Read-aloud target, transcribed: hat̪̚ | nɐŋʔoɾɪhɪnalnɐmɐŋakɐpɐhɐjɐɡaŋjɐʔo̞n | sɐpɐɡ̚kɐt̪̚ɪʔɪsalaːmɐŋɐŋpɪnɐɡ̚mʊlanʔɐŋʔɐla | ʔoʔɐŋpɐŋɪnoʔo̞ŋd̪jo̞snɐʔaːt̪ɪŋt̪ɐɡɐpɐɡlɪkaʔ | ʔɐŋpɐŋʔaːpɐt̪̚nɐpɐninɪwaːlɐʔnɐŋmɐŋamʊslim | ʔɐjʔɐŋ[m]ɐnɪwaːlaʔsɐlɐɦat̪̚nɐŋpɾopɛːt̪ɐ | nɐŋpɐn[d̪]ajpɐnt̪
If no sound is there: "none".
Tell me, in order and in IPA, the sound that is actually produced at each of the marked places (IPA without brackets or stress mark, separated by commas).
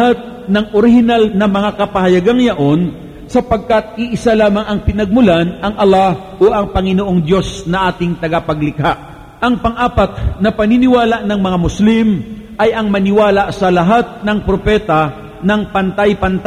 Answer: m, t̪